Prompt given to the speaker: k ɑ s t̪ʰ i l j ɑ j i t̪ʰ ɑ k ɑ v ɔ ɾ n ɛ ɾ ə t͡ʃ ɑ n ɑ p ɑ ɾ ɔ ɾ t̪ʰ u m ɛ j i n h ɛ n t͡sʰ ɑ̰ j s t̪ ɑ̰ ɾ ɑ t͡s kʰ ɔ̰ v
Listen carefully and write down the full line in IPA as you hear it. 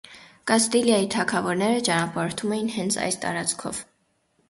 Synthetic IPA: k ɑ s t̪ i l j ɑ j i t̪ʰ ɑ kʰ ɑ v ɔ ɾ n ɛ ɾ ə t͡ʃ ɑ n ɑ p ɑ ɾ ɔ ɾ t̪ʰ u m ɛ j i n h ɛ n t͡sʰ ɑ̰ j s t̪ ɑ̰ ɾ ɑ t͡s kʰ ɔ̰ v